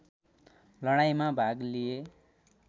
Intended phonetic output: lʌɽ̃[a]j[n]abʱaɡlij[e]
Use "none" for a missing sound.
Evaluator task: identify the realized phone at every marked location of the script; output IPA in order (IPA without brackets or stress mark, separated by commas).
a, m, e